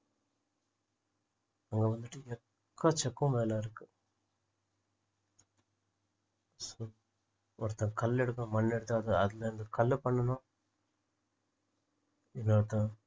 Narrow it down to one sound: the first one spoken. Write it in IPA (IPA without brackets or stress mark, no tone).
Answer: ɐ